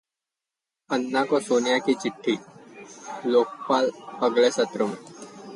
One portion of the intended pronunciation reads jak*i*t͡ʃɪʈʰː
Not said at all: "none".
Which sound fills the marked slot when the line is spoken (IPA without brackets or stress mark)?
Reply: i